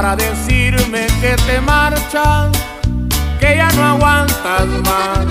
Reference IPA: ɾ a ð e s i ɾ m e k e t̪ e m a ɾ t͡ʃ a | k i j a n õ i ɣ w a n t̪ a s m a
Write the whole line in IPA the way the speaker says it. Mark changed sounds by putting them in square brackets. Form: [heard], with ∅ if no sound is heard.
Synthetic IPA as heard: ɾ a ð e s i ɾ m e k e t̪ e m a ɾ t͡ʃ a | k [e] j a n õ [a] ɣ w a n t̪ a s m a